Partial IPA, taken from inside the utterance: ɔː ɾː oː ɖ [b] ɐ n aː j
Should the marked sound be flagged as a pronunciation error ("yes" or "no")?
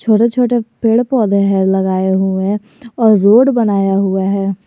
no